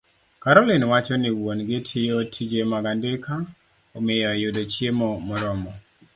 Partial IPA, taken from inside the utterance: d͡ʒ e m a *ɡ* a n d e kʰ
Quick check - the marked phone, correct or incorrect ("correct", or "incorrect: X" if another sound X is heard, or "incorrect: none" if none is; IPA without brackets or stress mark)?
correct